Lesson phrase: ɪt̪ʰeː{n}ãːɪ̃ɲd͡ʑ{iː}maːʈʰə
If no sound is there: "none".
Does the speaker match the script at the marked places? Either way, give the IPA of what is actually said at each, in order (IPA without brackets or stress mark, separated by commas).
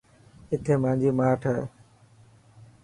m, iː